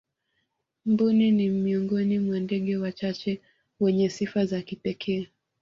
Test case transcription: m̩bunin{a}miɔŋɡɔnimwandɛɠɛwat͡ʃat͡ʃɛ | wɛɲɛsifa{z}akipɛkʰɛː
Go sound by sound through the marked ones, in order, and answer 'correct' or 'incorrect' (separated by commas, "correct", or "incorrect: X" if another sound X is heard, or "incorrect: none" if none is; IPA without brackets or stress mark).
incorrect: i, correct